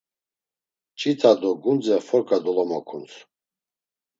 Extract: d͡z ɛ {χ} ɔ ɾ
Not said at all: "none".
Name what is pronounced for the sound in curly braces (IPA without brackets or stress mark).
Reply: f